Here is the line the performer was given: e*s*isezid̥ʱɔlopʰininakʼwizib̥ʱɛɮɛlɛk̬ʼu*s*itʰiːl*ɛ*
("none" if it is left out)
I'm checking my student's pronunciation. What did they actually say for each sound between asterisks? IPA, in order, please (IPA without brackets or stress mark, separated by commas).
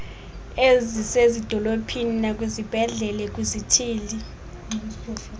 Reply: z, z, i